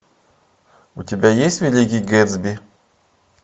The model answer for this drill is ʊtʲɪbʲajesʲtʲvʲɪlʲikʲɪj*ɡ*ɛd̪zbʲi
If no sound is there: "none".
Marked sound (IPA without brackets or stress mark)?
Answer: ɡ